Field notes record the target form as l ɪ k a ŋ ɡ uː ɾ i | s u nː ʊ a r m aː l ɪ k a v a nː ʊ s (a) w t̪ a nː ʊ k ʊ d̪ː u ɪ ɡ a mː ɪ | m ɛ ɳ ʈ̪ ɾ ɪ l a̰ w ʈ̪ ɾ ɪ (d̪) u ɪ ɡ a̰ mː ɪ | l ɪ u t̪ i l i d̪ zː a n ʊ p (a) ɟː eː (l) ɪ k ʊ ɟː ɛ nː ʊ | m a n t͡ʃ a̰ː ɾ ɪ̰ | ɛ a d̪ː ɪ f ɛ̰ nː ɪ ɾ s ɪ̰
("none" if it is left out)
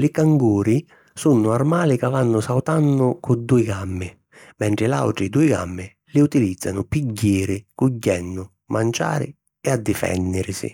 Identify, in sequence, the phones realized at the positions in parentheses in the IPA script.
a, d̪, i, ɾ

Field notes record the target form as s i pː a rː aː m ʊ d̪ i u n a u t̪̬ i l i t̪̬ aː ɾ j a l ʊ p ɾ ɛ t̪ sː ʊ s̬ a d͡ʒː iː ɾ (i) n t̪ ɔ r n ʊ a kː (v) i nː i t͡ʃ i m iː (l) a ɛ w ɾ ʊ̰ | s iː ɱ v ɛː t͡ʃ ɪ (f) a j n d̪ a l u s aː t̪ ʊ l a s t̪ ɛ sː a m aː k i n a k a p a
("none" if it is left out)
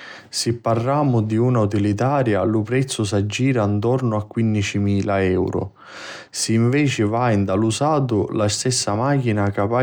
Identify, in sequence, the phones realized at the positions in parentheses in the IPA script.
a, w, l, v

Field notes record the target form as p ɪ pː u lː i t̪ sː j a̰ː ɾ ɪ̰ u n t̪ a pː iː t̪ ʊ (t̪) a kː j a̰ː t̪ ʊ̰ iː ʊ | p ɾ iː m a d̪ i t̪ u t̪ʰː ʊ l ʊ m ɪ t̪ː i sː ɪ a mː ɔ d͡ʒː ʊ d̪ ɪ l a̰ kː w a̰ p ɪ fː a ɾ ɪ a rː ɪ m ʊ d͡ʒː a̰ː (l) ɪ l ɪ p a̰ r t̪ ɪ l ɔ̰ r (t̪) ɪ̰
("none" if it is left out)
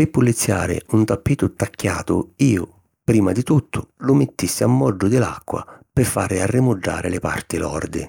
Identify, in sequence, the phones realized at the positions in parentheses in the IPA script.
t̪, ɾ, d̪

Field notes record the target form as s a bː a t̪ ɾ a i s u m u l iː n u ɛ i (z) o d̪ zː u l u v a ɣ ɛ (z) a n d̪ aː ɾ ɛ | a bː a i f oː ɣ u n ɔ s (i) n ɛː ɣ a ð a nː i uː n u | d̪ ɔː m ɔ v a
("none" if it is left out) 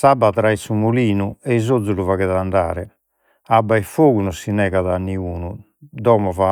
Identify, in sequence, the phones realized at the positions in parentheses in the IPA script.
z, ð, i

